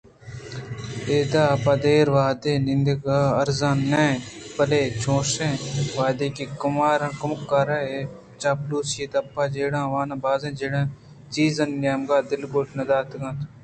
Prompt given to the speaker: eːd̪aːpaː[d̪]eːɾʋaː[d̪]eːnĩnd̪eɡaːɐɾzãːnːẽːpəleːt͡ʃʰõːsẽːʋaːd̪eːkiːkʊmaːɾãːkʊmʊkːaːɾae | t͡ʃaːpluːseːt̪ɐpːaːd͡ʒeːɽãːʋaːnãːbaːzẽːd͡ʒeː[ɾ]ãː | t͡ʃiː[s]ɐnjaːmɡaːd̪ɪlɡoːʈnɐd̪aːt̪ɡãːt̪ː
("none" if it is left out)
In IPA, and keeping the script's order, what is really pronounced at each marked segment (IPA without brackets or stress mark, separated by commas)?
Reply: d̪, d̪, ɽ, z